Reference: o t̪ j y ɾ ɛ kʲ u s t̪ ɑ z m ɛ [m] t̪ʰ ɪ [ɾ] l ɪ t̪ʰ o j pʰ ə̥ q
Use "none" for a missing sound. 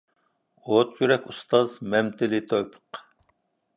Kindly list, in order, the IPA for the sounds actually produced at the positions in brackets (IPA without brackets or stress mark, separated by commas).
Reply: m, none